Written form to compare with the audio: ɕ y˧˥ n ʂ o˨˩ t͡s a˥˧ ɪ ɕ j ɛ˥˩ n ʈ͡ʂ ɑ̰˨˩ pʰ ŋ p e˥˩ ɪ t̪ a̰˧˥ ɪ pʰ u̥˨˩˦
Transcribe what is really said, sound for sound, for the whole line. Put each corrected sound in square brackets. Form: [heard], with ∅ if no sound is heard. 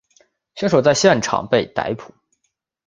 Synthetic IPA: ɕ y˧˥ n ʂ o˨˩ t͡s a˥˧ ɪ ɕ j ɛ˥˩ n [ʈ͡ʂʰ] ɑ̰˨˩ [∅] ŋ p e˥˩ ɪ t̪ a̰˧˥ ɪ pʰ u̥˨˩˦

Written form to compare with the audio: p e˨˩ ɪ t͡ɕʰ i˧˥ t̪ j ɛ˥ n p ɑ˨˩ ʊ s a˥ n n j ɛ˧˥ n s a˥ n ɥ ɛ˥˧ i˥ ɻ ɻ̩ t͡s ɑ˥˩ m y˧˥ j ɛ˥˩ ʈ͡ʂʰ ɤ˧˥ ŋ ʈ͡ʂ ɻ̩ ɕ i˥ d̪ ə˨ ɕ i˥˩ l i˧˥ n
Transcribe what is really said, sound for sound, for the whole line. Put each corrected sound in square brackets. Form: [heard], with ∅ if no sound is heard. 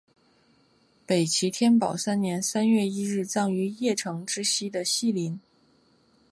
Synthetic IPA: p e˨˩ ɪ t͡ɕʰ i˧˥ [t̪ʰ] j ɛ˥ n p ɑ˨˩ ʊ s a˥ n n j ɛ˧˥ n s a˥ n ɥ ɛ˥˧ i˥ ɻ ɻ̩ t͡s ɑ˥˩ [ŋ] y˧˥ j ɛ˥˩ ʈ͡ʂʰ ɤ˧˥ ŋ ʈ͡ʂ ɻ̩ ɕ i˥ d̪ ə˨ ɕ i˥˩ l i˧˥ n

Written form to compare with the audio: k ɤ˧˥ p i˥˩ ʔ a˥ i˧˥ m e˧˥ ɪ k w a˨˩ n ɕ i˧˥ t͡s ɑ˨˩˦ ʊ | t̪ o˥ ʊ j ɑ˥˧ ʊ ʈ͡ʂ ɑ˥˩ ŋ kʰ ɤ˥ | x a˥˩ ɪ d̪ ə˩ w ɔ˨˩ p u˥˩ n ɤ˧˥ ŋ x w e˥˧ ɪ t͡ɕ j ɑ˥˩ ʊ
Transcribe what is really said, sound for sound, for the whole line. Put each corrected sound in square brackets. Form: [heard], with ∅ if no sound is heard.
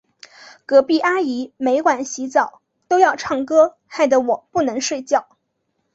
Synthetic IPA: k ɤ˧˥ p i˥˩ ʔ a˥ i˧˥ m e˧˥ ɪ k w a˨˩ n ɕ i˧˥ t͡s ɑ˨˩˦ ʊ | t̪ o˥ ʊ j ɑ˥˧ ʊ [ʈ͡ʂʰ] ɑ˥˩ ŋ [k] ɤ˥ | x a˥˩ ɪ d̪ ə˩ w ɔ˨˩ p u˥˩ n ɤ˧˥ ŋ [ʂ] w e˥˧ ɪ t͡ɕ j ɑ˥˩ ʊ

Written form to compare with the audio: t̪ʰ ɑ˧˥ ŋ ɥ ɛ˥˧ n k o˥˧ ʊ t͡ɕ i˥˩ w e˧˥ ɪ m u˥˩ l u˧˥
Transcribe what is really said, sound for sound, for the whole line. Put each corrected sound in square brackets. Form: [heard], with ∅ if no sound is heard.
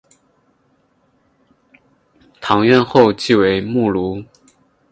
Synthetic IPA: t̪ʰ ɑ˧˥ ŋ ɥ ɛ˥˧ n [x] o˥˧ ʊ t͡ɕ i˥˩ w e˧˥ ɪ m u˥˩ l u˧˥

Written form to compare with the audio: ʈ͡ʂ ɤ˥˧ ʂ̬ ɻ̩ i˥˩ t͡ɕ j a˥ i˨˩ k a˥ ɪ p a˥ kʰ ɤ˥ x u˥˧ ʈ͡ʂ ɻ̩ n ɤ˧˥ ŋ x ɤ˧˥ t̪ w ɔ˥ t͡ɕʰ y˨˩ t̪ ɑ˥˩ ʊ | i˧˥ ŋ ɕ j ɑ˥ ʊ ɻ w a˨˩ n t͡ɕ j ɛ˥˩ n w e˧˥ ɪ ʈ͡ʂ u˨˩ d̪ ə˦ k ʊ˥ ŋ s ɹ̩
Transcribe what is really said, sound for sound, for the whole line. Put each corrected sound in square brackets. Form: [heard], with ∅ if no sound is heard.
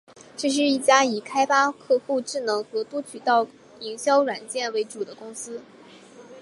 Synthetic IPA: ʈ͡ʂ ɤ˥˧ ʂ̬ ɻ̩ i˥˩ t͡ɕ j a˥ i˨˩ [kʰ] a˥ ɪ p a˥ kʰ [ɤ˥˧] x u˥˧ ʈ͡ʂ ɻ̩ n ɤ˧˥ ŋ x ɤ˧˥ t̪ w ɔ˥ t͡ɕʰ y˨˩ t̪ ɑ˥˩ ʊ | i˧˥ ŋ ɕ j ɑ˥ ʊ ɻ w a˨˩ n t͡ɕ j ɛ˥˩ n w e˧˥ ɪ ʈ͡ʂ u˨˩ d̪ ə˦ k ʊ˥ ŋ s ɹ̩

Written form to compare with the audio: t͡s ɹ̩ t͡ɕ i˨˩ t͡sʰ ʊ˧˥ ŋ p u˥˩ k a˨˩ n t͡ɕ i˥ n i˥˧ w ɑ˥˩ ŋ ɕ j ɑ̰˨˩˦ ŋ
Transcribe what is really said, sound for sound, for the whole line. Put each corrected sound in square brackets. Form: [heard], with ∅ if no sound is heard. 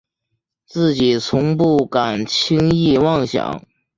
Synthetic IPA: t͡s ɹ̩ t͡ɕ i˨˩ t͡sʰ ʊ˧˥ ŋ p u˥˩ k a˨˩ n [t͡ɕʰ] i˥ [ŋ] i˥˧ w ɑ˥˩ ŋ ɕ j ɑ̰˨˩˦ ŋ

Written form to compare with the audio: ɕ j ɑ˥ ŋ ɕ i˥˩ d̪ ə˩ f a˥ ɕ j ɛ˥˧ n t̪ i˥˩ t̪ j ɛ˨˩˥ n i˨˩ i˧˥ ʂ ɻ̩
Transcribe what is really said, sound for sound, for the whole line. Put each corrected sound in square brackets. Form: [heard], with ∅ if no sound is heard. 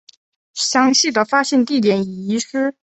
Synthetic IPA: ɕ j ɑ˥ ŋ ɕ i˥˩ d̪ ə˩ f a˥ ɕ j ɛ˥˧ n t̪ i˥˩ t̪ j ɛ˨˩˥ n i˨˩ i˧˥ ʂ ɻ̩

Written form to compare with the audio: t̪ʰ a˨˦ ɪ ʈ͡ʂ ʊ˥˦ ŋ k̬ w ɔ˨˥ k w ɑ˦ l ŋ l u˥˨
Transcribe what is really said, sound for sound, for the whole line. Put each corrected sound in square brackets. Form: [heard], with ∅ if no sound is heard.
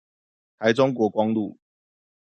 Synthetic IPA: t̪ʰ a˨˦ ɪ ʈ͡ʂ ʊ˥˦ ŋ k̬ w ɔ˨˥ k w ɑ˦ [∅] ŋ l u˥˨

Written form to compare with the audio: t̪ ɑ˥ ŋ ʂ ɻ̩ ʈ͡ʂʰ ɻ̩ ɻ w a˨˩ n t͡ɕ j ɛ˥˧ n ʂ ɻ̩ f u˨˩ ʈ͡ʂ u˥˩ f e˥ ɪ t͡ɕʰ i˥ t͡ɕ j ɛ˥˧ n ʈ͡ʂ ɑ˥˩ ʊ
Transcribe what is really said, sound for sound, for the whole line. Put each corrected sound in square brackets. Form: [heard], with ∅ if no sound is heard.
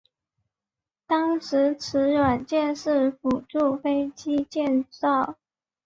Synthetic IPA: t̪ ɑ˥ ŋ ʂ ɻ̩ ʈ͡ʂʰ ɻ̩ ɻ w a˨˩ n t͡ɕ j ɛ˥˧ n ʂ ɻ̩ f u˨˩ ʈ͡ʂ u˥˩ f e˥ ɪ [t͡ɕ] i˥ t͡ɕ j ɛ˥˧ n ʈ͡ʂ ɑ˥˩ ʊ

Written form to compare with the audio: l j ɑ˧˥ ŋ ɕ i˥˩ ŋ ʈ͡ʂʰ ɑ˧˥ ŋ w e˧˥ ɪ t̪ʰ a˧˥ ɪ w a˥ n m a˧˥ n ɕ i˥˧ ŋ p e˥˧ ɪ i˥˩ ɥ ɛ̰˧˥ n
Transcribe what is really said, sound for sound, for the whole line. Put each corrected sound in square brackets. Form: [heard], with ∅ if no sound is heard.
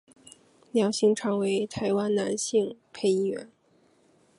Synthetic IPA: l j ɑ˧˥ ŋ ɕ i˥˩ ŋ ʈ͡ʂʰ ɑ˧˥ ŋ w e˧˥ ɪ t̪ʰ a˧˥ ɪ w a˥ n [n] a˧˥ n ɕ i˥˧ ŋ [pʰ] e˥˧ ɪ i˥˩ ɥ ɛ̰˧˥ n

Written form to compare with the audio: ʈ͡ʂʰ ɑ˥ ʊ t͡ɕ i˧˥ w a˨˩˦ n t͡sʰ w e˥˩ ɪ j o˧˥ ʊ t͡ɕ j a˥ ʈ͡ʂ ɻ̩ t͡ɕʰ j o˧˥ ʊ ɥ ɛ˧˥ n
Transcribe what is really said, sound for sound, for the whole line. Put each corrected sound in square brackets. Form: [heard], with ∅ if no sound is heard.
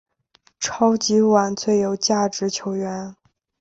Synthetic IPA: ʈ͡ʂʰ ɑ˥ ʊ t͡ɕ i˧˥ w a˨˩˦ n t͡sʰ w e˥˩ ɪ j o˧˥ ʊ t͡ɕ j [a˥˩] ʈ͡ʂ ɻ̩ t͡ɕʰ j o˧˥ ʊ ɥ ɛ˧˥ n

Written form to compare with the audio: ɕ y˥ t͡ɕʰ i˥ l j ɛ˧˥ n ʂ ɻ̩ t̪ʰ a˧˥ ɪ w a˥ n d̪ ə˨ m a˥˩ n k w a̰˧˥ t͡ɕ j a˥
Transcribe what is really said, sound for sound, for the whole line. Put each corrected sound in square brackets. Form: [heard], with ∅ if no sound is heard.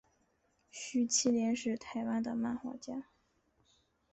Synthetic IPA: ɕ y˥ t͡ɕʰ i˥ l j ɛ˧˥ n ʂ ɻ̩ t̪ʰ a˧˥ ɪ w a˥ n d̪ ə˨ m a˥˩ n [x] w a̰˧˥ t͡ɕ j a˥

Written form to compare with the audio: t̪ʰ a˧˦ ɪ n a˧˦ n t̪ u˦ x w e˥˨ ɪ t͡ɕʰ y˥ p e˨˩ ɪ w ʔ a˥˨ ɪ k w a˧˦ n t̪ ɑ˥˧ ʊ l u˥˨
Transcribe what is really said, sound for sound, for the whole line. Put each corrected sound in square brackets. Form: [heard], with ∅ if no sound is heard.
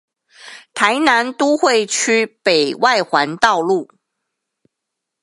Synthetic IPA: t̪ʰ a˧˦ ɪ n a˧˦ n t̪ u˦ x w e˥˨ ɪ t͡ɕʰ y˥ p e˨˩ ɪ w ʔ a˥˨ ɪ [x] w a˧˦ n t̪ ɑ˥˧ ʊ l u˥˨

